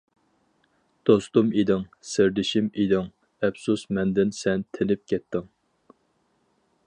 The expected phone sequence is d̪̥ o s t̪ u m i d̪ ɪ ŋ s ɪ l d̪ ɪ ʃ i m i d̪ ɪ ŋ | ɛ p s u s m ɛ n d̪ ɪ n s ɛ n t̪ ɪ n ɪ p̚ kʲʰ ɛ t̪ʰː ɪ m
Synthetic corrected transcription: d̪̥ o s t̪ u m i d̪ ɪ ŋ s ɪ ɾ d̪ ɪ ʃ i m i d̪ ɪ ŋ | ɛ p s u s m ɛ n d̪ ɪ n s ɛ n t̪ʰ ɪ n ɪ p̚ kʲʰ ɛ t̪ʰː ɪ ŋ